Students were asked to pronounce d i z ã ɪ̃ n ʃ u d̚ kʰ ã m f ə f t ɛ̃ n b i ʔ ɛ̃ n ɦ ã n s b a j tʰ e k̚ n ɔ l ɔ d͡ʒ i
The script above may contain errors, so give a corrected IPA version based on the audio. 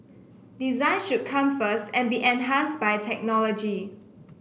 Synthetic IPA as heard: d i z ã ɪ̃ n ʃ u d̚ kʰ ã m f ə s t ɛ̃ n b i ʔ ɛ̃ n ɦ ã n s b a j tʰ ɛ k̚ n ɔ l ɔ d͡ʒ i